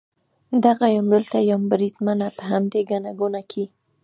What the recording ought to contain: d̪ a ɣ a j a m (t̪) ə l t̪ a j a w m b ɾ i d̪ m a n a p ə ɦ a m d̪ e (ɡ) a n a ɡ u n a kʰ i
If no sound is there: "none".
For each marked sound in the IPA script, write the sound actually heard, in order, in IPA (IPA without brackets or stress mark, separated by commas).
d̪, ɡ